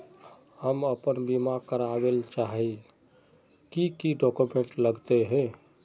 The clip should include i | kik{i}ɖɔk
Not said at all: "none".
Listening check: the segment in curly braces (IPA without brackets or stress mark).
i